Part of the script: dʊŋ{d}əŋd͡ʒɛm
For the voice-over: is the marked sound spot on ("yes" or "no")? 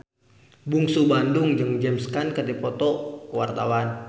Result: no